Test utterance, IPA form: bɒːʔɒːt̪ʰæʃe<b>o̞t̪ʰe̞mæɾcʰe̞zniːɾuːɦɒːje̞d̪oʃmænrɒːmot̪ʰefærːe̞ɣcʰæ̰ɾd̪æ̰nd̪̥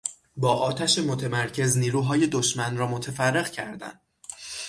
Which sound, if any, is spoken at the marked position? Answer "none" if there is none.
m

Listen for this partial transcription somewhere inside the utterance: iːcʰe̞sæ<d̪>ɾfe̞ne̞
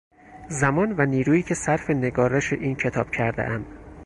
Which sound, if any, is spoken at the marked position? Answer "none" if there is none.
none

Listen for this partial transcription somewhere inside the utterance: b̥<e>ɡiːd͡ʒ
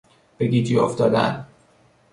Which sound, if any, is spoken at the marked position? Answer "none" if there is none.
e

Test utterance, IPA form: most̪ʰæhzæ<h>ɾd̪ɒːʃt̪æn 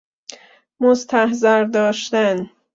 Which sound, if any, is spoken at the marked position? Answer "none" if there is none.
none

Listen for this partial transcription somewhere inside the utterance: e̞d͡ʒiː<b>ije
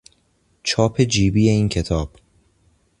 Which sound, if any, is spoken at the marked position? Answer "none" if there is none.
b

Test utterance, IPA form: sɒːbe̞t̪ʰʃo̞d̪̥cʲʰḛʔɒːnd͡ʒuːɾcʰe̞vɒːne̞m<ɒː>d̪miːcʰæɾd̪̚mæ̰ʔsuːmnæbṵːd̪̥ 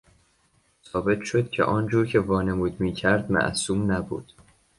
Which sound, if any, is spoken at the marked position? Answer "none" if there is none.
uː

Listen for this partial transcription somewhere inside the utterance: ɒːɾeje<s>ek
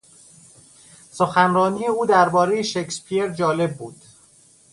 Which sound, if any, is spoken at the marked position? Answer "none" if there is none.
ʃ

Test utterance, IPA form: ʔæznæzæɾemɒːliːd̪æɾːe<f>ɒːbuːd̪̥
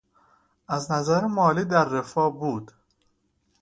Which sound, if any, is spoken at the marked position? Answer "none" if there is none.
f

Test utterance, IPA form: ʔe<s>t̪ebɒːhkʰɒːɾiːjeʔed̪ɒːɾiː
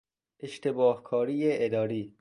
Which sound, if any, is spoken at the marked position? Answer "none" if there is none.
ʃ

